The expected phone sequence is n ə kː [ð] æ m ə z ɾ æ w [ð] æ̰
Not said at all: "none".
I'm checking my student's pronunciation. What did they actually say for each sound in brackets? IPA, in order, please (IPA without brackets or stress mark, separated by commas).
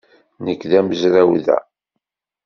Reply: ð, ð